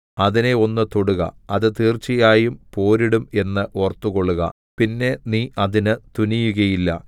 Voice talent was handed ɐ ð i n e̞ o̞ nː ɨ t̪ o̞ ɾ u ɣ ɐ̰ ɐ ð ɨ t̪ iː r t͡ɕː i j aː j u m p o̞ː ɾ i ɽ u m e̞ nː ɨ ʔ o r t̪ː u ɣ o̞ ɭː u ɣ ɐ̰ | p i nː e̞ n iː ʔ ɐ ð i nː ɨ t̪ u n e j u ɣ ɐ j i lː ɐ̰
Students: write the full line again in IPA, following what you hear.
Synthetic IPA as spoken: ɐ ð i n e̞ o̞ nː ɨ t̪ o̞ ɽ u ɣ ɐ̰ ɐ ð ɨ t̪ iː r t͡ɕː i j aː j u m p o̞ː ɾ i ɽ u m e̞ nː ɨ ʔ o r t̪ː u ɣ o̞ ɭː u ɣ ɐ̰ | p i nː e̞ n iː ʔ ɐ ð i n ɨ t̪ u n i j u ɣ ɐ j i lː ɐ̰